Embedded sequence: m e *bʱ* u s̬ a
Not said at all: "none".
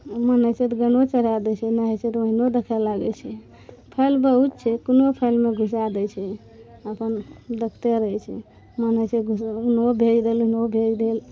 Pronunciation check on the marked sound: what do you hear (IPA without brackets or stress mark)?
ɡʱ